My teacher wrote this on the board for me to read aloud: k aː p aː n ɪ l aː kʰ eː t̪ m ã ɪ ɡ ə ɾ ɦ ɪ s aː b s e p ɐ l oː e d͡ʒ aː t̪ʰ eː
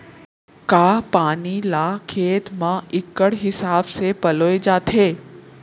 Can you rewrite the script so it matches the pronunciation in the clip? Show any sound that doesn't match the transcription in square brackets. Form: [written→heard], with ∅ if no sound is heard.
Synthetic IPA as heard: k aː p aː n [ɪ→i] l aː kʰ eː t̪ m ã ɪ [ɡ→k] ə [ɾ→ɽ] ɦ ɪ s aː b s e p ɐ l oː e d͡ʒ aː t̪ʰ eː